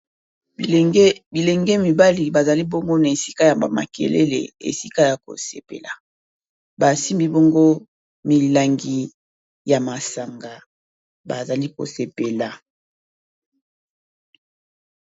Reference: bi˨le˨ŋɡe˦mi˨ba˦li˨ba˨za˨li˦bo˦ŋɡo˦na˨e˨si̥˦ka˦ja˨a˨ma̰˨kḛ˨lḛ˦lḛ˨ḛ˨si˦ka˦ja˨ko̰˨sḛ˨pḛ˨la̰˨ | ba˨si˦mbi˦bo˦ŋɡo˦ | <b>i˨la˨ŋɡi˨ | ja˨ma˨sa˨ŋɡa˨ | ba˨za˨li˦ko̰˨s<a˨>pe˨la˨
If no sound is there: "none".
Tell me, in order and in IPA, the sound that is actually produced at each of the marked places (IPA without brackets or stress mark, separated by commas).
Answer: m, e˨